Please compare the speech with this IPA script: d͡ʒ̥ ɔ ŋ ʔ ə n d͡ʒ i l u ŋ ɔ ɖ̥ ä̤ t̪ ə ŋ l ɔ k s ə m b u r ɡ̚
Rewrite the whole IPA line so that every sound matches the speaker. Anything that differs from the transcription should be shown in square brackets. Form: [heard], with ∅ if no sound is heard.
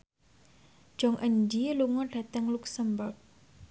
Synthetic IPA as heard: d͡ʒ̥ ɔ ŋ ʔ ə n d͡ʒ i l u ŋ ɔ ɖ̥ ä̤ t̪ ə ŋ l [u] k s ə m b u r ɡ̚